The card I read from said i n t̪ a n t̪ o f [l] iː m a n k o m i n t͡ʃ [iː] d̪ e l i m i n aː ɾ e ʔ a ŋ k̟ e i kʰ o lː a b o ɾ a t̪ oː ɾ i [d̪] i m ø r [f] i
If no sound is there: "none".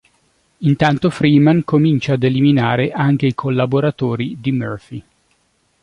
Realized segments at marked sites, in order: ɾ, aː, d̪, f

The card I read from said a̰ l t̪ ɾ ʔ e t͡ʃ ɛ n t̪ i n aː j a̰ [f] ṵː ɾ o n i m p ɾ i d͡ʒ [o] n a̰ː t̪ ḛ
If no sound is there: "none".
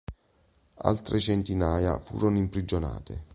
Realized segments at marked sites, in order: f, o

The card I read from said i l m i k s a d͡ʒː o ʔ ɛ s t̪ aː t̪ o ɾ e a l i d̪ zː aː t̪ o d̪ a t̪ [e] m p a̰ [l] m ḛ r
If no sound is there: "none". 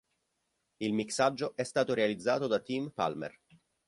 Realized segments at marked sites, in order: i, l

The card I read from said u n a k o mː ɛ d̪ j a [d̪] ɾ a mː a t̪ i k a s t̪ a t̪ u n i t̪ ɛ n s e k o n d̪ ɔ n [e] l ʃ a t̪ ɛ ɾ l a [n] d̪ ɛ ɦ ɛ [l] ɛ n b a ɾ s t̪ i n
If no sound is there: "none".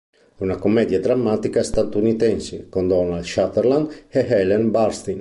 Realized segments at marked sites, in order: d̪, a, n, l

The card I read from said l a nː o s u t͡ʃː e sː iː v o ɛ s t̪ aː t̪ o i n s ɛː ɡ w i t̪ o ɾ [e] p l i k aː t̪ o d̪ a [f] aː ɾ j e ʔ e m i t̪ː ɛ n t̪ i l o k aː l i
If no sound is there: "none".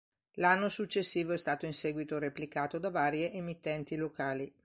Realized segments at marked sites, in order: e, v

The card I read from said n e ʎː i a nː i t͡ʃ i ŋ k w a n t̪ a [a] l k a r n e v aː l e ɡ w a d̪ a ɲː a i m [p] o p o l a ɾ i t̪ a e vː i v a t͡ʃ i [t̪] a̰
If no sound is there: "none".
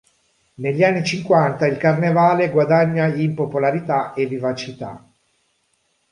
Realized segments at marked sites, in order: i, p, t̪

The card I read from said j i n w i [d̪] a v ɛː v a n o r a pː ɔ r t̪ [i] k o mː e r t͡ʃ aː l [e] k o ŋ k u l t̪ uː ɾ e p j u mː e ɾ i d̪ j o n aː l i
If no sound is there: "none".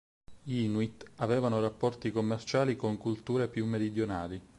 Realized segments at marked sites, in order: t̪, i, i

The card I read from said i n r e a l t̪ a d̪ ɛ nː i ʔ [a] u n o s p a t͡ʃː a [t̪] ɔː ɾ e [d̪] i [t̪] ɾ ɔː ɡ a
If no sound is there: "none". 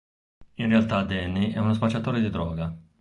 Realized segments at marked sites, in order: ɛ, t̪, d̪, d̪

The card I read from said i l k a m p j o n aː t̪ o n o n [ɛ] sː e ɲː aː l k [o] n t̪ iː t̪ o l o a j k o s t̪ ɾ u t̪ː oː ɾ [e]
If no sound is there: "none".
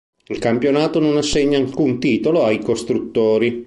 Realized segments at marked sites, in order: a, u, i

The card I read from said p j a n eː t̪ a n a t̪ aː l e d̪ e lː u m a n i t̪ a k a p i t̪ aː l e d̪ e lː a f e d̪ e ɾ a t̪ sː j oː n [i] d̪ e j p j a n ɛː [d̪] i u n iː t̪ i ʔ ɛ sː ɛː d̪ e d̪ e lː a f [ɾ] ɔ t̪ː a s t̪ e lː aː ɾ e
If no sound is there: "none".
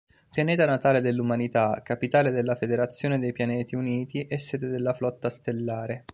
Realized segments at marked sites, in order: e, t̪, l

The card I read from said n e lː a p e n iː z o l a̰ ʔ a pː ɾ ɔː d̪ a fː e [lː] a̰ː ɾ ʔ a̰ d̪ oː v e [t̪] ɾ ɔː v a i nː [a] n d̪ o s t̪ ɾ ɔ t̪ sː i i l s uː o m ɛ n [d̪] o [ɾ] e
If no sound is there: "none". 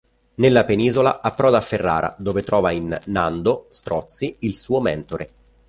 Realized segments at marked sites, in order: rː, t̪, a, t̪, ɾ

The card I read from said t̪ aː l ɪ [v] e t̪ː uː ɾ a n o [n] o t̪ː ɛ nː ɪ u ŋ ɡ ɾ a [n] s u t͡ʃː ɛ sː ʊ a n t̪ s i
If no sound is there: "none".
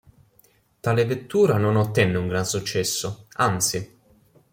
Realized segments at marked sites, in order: v, n, n

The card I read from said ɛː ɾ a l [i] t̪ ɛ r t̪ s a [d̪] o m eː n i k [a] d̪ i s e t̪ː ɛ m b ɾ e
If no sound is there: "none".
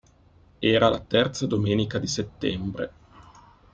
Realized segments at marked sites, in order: a, d̪, a

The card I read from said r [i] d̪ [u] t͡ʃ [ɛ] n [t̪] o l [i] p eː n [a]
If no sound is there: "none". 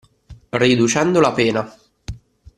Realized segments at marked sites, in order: i, u, ɛ, d̪, a, a

